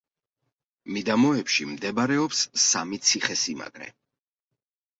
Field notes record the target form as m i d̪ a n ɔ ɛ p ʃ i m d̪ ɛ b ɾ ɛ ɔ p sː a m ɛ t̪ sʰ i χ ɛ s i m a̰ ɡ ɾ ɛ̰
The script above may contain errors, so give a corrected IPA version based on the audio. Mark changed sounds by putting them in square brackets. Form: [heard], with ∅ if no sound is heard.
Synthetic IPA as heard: m i d̪ a [m] ɔ ɛ p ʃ i m d̪ ɛ b ɾ ɛ ɔ p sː a m [i] t̪ sʰ i χ ɛ s i m a̰ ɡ ɾ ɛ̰